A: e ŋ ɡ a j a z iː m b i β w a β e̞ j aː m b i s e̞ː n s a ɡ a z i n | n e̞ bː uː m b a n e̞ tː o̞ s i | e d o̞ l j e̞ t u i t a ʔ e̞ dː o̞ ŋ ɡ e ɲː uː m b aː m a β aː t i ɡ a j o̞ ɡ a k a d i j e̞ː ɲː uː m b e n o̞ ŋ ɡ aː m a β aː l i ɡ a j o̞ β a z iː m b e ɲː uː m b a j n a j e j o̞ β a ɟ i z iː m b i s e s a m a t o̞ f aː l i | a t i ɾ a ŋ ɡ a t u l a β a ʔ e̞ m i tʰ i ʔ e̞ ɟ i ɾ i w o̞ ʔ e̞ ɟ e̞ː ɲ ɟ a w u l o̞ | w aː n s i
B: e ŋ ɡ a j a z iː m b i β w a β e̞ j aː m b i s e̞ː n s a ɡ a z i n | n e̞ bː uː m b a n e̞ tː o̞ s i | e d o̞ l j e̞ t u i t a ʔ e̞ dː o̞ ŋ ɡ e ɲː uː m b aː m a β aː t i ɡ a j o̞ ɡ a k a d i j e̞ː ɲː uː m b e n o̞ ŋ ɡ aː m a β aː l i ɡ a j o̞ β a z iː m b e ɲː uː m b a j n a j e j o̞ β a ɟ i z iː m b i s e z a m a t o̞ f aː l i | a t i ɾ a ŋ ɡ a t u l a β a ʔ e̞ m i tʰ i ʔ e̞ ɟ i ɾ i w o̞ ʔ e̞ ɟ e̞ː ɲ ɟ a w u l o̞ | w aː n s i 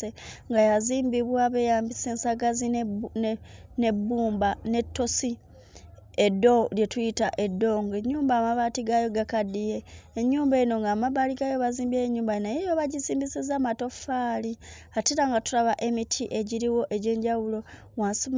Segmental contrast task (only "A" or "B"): B